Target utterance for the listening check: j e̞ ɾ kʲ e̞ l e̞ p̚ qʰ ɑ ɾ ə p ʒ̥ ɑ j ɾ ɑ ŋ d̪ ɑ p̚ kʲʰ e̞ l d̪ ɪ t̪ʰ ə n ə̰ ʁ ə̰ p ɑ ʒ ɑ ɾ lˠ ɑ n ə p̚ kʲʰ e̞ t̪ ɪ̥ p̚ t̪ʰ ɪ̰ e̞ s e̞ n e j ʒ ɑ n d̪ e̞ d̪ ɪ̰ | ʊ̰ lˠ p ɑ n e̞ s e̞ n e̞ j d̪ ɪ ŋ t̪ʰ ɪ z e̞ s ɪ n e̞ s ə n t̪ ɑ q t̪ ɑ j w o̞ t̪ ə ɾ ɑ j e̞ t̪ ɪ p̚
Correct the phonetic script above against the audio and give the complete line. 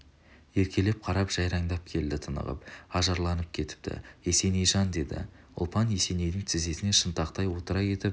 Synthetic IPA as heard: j e̞ ɾ kʲ e̞ l e̞ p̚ qʰ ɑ ɾ ɑ p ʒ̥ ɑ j ɾ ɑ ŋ d̪ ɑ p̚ kʲʰ e̞ l d̪ ɪ t̪ʰ ə n ə̰ ʁ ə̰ p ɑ ʒ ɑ ɾ lˠ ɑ n ə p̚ kʲʰ e̞ t̪ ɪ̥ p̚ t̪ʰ ɪ̰ e̞ s e̞ n e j ʒ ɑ n d̪ e̞ d̪ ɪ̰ | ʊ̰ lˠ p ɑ n e̞ s e̞ n e̞ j d̪ ɪ ŋ t̪ʰ ɪ z e̞ s ɪ n e̞ ʃ ə n t̪ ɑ q t̪ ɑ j w o̞ t̪ ə ɾ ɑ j e̞ t̪ ɪ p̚